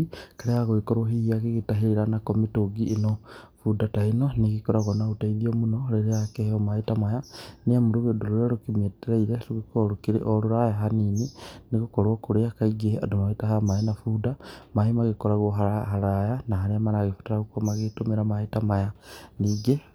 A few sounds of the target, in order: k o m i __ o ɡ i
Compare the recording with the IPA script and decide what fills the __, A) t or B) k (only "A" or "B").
A